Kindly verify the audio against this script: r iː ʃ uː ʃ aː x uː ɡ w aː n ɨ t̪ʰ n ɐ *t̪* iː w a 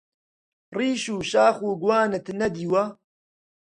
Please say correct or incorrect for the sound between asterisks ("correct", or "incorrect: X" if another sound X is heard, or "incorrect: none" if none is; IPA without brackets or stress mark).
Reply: incorrect: d̪